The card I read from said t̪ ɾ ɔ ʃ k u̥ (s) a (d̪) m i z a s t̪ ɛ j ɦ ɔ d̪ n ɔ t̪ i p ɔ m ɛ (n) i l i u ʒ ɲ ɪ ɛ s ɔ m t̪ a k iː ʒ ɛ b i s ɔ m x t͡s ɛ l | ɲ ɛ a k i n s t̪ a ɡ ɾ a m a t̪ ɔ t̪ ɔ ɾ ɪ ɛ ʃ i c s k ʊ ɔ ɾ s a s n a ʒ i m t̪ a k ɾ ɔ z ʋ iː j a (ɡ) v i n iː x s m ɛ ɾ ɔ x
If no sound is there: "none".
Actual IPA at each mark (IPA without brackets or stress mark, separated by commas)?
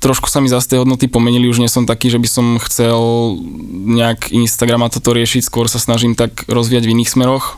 s, none, ɲ, ɟ